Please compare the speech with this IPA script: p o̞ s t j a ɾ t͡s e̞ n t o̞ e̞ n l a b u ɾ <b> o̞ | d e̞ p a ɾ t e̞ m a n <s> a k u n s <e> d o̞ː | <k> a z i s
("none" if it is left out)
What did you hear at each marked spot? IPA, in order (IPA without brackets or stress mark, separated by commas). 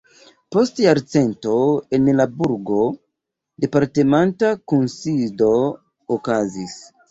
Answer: ɡ, t, i, k